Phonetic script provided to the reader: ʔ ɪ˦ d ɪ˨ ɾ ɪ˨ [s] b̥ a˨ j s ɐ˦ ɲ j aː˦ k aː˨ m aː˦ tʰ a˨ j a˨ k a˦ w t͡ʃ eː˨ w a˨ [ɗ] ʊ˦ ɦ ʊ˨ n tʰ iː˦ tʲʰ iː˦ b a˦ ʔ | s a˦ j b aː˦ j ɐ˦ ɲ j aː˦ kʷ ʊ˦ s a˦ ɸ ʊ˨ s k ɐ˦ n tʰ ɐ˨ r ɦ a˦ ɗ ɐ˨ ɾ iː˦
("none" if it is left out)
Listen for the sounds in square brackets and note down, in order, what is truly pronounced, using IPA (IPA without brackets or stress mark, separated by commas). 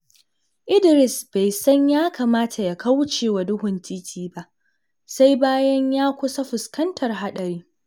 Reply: s, d